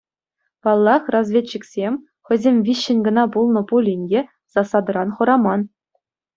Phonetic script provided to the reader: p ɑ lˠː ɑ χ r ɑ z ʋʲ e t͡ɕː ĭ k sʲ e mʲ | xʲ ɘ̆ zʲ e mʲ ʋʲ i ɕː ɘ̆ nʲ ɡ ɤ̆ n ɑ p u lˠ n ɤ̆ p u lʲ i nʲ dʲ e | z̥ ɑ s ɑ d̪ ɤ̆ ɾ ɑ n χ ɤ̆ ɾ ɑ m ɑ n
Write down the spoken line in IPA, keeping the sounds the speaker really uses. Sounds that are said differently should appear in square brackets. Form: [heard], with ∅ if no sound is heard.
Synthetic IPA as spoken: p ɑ lˠː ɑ χ r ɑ z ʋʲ e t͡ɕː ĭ k sʲ e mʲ | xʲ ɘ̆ zʲ e mʲ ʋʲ i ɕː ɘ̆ nʲ ɡ ɤ̆ n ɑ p u lˠ n ɤ̆ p u lʲ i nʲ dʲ e | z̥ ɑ s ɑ d̪ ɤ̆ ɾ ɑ n χ ɤ̆ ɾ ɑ m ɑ n